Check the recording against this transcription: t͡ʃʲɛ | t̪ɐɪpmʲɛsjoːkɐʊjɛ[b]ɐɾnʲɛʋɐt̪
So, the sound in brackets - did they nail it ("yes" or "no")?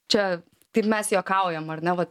no